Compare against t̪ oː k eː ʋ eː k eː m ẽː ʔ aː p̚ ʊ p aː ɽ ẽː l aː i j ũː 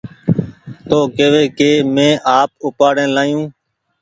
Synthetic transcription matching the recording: t̪ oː k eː ʋ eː k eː m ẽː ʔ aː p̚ ʊ p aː ɽ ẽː l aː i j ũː